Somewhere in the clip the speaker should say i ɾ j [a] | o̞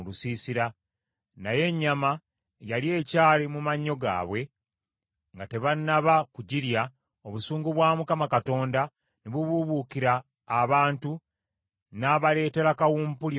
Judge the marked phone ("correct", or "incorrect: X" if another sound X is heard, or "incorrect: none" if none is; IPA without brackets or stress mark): correct